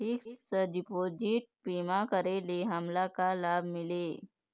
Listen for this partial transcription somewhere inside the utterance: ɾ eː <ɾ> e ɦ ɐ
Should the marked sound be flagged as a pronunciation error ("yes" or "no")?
yes